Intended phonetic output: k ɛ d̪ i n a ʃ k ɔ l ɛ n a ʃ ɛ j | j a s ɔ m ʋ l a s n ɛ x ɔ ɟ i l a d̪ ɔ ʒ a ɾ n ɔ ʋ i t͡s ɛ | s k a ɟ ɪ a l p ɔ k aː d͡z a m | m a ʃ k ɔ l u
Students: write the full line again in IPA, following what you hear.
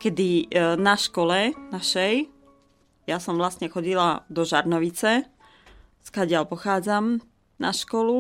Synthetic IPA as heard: k ɛ d̪ i n a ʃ k ɔ l ɛ n a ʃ ɛ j | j a s ɔ m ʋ l a s ɲ ɛ x ɔ ɟ i l a d̪ ɔ ʒ a ɾ n ɔ ʋ i t͡s ɛ | s k a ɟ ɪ a l p ɔ x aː d͡z a m | n a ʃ k ɔ l u